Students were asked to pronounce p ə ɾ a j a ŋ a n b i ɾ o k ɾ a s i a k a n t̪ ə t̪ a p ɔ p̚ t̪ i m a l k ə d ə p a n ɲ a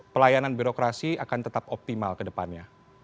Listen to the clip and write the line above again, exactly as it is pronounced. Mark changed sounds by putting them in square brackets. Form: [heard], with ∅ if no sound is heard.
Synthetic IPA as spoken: p ə [l] a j a [n] a n b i ɾ o k ɾ a s i a k a n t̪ ə t̪ a p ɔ p̚ t̪ i m a l k ə d ə p a n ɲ a